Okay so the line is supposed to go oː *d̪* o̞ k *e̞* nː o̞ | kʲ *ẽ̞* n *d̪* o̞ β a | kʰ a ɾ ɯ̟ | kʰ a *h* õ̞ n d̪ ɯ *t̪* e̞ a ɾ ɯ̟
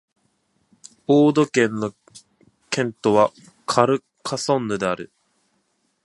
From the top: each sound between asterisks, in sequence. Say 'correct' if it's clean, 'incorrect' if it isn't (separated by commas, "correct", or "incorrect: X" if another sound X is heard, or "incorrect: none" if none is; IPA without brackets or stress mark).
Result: correct, incorrect: ẽ̞, correct, incorrect: t̪, incorrect: s, incorrect: d̪